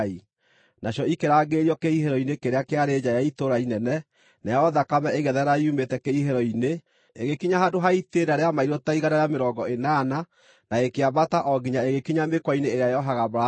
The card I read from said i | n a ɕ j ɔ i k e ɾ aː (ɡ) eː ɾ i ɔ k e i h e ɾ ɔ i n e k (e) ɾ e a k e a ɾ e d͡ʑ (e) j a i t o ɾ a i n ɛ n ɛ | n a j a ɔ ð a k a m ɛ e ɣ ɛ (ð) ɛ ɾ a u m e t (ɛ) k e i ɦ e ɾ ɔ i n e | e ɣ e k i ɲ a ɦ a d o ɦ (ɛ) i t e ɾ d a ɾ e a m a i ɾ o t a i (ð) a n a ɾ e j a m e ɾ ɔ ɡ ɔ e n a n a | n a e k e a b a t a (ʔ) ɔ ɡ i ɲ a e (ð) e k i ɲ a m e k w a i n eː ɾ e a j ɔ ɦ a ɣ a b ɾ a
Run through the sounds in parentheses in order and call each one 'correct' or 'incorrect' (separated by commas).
correct, correct, incorrect, correct, correct, incorrect, incorrect, correct, incorrect